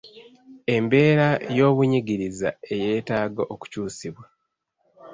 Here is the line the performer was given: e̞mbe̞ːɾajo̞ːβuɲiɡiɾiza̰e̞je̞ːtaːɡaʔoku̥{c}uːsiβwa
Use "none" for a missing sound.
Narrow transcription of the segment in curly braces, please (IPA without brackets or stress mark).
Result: c